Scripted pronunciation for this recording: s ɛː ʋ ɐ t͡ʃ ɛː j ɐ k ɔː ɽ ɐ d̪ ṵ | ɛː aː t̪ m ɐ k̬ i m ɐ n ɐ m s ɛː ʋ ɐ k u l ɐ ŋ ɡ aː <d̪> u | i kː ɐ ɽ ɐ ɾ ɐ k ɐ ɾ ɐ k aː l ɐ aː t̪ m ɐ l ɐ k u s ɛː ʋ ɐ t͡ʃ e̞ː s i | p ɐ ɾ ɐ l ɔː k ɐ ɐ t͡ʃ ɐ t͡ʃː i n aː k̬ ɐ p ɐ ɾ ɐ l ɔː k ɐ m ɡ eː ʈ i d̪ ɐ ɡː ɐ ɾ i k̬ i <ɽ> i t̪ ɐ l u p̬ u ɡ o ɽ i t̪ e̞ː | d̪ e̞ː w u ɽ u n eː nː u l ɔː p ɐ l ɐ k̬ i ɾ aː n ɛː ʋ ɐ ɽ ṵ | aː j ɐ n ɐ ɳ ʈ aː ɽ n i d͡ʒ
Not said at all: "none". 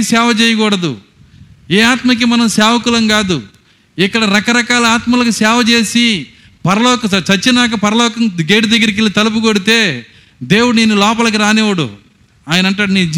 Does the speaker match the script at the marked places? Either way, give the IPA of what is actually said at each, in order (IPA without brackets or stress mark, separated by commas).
d̪, l